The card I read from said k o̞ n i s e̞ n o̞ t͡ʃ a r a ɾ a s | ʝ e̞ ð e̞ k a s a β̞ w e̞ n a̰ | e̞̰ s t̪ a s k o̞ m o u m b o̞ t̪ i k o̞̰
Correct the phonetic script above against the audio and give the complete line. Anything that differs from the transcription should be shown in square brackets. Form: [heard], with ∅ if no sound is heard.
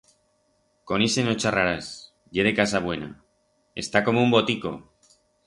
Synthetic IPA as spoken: k o̞ n i s e̞ n o̞ t͡ʃ a r a ɾ a s | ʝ e̞ ð e̞ k a s a β̞ w e̞ n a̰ | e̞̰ s t̪ a [∅] k o̞ m o u m b o̞ t̪ i k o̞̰